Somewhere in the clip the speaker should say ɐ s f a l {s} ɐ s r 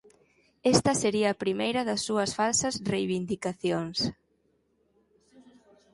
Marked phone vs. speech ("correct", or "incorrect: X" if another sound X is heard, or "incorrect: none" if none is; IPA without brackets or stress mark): correct